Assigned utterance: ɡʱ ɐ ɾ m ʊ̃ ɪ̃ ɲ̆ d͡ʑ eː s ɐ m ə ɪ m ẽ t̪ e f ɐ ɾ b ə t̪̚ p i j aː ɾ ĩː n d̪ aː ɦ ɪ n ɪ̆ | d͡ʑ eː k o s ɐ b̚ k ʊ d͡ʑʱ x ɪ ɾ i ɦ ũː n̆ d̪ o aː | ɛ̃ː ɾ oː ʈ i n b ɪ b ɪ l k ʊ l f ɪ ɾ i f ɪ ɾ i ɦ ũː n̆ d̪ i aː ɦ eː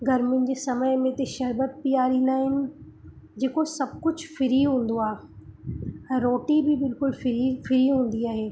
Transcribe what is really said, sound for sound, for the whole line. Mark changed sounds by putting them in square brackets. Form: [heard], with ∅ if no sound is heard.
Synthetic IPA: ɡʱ ɐ ɾ m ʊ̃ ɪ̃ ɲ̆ d͡ʑ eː s ɐ m ə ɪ m ẽ t̪ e [ʃ] ɐ ɾ b ə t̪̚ p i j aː ɾ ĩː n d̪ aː ɦ ɪ n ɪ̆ | d͡ʑ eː k o s ɐ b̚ k ʊ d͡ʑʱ [f] ɪ ɾ i ɦ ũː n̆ d̪ o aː | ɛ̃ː ɾ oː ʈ i [∅] b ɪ b ɪ l k ʊ l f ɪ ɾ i f ɪ ɾ i ɦ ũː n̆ d̪ i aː ɦ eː